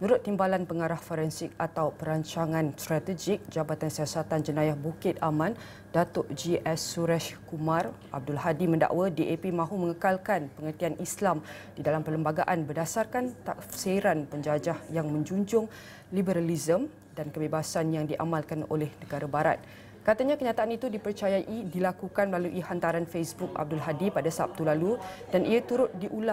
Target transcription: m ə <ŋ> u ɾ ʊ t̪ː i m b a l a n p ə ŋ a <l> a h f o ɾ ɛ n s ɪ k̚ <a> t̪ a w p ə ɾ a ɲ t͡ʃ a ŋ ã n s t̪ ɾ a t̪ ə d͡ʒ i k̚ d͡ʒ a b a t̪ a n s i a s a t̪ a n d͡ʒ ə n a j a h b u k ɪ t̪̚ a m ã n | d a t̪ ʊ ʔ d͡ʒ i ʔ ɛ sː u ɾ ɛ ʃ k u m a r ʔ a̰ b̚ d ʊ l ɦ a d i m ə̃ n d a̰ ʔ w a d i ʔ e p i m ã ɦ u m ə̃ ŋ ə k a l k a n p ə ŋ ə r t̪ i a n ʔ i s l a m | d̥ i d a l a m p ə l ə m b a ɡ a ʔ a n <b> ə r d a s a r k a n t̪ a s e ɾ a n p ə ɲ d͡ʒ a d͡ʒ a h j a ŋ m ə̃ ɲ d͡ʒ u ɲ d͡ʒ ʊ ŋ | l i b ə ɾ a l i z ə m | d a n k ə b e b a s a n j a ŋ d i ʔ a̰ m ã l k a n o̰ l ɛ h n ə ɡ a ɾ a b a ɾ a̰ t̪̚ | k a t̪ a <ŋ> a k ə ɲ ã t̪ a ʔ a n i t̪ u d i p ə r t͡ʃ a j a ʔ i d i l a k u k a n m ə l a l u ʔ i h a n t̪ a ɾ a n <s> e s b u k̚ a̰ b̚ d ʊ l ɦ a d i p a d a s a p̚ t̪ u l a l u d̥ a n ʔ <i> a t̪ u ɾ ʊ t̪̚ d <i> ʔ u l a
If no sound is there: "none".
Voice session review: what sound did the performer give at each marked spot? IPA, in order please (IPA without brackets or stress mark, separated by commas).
n, ɾ, a, b, ɲ, f, i, i